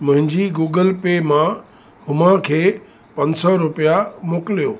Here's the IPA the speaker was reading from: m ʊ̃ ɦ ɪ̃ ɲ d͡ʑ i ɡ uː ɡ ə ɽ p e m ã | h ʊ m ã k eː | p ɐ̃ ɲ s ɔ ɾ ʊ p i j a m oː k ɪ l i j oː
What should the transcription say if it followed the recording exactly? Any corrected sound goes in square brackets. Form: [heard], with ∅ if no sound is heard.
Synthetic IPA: m ʊ̃ ɦ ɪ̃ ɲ d͡ʑ i ɡ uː ɡ ə [l] p e m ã | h ʊ m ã [kʰ] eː | p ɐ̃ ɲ s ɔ ɾ ʊ p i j a m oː k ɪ l i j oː